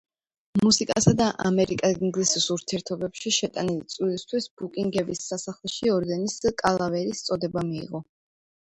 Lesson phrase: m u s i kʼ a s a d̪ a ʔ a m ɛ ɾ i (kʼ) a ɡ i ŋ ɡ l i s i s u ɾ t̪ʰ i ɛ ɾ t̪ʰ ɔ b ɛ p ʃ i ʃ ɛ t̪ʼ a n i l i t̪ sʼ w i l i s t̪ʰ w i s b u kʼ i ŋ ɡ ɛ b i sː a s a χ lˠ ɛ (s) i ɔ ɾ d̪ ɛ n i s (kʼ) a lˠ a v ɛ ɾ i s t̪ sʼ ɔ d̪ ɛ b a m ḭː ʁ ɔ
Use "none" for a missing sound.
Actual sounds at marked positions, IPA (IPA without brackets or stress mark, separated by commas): kʼ, ʃ, kʼ